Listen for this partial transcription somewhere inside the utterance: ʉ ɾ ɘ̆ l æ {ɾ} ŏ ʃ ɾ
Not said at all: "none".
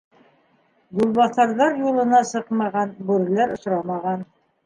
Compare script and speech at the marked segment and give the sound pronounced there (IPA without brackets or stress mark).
ɾ